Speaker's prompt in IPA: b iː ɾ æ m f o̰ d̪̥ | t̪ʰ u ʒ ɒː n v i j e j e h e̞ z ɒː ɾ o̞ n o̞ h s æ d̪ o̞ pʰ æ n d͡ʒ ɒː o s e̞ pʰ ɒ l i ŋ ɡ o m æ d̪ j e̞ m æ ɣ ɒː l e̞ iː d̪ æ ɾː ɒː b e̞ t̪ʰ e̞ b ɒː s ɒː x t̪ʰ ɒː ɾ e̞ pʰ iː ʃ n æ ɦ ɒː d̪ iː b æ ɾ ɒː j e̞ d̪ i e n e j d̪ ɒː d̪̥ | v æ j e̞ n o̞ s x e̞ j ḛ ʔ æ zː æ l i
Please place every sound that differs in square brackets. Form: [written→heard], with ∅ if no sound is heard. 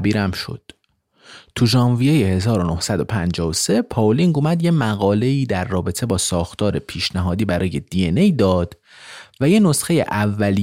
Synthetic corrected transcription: b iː ɾ æ m [f→ʃ] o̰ d̪̥ | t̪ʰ u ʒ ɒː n v i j e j e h e̞ z ɒː ɾ o̞ n o̞ h s æ d̪ o̞ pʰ æ n d͡ʒ ɒː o s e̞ pʰ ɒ l i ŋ ɡ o m æ d̪ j e̞ m æ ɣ ɒː l e̞ iː d̪ æ ɾː ɒː b e̞ t̪ʰ e̞ b ɒː s ɒː x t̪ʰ ɒː ɾ e̞ pʰ iː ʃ n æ ɦ ɒː d̪ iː b æ ɾ ɒː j e̞ d̪ i e n e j d̪ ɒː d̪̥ | v æ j e̞ n o̞ s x e̞ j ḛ ʔ æ [zː→vː] æ l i